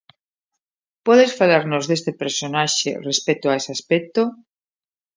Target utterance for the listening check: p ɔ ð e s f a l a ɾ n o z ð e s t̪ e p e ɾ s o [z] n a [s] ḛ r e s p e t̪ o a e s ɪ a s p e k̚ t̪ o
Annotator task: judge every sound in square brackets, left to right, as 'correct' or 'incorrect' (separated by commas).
incorrect, incorrect